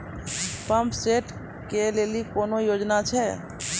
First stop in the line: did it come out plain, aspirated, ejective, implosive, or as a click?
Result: plain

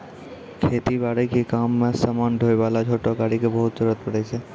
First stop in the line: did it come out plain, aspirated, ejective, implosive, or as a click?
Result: aspirated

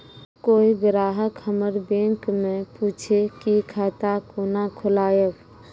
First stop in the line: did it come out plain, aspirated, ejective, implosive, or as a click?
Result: plain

